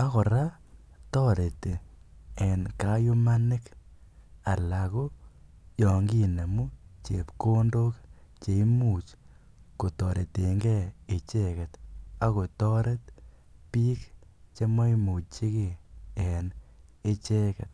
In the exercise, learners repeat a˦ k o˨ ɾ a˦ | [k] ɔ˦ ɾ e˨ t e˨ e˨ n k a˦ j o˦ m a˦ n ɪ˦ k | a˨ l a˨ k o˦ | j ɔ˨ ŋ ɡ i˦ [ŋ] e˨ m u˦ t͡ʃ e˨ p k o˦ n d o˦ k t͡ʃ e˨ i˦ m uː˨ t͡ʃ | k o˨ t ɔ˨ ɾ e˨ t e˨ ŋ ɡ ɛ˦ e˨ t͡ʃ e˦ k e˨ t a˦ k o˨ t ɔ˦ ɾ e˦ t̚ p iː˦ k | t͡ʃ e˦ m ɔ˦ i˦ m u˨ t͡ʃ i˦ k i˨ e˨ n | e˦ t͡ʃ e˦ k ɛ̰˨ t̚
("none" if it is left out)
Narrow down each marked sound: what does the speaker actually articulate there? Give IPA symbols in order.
t, n

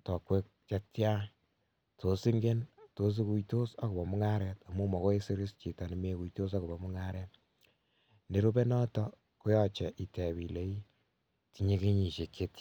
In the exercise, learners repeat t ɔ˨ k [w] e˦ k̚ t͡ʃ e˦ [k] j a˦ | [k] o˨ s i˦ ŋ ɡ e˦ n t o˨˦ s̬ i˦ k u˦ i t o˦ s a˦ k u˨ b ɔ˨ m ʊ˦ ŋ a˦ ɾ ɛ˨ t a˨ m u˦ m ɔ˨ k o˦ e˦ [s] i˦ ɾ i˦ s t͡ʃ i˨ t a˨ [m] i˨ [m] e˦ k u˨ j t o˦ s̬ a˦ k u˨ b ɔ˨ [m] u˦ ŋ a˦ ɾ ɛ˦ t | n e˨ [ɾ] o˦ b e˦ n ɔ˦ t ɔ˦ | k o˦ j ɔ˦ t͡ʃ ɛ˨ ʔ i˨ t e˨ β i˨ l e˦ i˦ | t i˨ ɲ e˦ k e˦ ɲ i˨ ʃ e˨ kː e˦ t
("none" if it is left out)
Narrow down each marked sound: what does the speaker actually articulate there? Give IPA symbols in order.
w, t, t, s, n, m, m, ɾ

